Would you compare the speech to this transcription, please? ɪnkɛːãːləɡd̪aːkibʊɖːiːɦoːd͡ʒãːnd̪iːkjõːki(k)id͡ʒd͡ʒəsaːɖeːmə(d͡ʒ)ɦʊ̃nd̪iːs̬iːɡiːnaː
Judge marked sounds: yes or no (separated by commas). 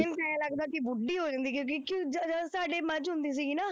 yes, yes